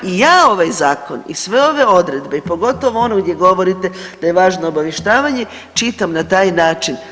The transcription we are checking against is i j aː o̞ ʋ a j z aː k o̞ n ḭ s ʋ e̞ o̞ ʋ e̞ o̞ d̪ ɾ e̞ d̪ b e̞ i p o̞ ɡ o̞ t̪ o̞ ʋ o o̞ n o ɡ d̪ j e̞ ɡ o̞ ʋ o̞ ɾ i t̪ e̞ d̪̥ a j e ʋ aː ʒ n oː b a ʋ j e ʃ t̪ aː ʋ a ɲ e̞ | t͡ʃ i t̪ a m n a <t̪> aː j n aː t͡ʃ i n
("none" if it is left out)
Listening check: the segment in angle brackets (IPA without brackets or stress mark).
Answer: t̪